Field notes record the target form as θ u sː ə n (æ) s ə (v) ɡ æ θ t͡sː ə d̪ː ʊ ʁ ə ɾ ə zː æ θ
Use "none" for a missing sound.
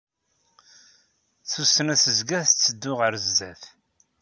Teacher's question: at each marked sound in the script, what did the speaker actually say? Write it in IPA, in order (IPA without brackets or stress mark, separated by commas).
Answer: æ, z